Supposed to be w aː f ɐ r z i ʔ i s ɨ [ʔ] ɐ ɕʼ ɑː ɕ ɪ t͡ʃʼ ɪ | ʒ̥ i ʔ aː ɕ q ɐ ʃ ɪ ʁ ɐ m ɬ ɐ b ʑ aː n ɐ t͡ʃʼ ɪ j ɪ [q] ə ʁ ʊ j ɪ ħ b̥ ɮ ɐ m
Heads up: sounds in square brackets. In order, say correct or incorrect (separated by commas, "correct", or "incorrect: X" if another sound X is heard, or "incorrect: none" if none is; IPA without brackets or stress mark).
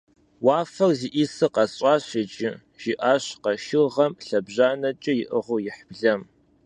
incorrect: q, incorrect: ʔ